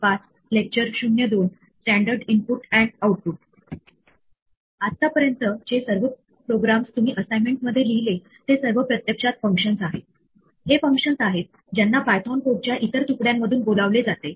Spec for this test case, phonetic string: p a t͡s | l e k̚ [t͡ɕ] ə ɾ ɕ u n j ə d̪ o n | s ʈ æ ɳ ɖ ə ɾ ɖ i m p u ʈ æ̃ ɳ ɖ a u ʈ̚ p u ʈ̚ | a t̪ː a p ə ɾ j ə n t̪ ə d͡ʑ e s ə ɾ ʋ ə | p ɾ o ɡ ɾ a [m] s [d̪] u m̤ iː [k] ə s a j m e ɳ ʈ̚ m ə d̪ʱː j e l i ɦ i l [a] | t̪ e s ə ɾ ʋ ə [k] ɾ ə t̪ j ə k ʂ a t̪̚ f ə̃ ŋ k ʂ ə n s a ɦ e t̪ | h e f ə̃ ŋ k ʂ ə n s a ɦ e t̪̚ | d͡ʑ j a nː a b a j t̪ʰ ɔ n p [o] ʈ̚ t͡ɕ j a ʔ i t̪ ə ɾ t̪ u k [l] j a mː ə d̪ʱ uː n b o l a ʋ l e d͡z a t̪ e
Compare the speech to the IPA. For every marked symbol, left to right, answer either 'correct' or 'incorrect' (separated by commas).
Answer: correct, correct, incorrect, incorrect, incorrect, incorrect, correct, incorrect